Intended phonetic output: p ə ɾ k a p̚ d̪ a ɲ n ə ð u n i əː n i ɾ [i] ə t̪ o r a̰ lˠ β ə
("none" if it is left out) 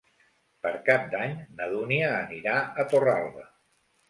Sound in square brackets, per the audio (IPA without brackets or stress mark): a